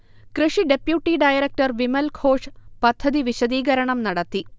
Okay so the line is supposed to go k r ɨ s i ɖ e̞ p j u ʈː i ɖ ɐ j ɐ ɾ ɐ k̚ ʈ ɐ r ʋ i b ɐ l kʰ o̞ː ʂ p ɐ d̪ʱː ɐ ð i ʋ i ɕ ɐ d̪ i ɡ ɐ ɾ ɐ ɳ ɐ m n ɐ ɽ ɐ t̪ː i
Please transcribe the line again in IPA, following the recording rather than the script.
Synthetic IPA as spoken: k r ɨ ʂ i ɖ e̞ p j u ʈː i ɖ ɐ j ɐ ɾ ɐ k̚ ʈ ɐ r ʋ i m ɐ l kʰ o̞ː ʂ p ɐ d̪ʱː ɐ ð i ʋ i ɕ ɐ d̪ iː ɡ ɐ ɾ ɐ ɳ ɐ m n ɐ ɽ ɐ t̪ː i